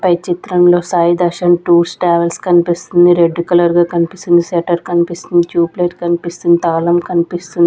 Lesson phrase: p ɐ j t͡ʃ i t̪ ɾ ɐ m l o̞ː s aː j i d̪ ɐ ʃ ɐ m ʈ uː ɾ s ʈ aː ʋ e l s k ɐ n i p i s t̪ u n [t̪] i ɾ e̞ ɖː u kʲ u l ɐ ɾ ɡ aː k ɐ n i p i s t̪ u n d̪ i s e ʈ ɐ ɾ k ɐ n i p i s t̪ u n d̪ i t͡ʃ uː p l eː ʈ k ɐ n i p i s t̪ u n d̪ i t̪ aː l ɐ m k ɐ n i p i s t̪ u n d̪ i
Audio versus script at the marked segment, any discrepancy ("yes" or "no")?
yes